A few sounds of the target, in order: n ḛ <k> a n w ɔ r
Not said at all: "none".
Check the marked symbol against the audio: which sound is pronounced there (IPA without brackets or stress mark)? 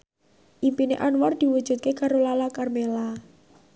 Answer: ʔ